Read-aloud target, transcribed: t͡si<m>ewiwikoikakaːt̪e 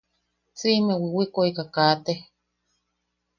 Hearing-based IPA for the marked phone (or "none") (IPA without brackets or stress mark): m